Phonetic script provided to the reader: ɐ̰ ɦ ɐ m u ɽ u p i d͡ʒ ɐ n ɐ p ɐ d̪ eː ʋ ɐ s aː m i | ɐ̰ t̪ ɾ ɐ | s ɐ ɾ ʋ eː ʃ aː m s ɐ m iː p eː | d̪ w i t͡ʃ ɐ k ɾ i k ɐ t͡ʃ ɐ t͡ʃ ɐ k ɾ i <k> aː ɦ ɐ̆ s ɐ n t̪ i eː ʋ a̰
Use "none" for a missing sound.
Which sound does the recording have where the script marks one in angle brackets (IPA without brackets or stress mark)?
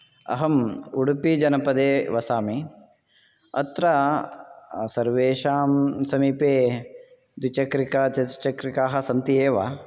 k